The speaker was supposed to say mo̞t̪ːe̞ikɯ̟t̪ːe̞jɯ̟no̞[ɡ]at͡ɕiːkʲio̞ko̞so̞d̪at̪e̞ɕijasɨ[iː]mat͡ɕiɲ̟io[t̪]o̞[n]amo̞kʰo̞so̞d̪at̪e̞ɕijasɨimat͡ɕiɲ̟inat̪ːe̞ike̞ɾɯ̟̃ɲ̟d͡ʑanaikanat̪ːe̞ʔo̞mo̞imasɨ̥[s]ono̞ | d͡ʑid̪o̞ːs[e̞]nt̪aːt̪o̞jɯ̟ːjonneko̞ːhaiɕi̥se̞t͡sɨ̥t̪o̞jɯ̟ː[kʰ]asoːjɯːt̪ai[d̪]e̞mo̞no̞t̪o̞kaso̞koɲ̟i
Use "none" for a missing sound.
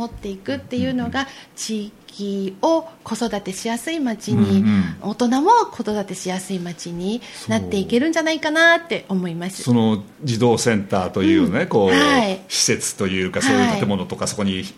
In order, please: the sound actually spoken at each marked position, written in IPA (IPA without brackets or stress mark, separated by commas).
ɡ, i, t̪, n, s, ẽ̞, k, t̪